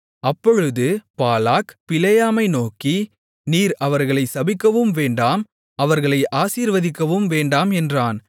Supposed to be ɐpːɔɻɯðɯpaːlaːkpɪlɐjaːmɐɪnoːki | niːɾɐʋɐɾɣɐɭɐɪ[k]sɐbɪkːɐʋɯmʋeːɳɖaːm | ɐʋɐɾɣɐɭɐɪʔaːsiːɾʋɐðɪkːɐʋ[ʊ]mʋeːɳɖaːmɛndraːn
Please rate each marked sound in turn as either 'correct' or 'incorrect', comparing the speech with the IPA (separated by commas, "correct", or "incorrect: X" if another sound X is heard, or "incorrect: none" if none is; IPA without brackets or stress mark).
incorrect: none, incorrect: ɯ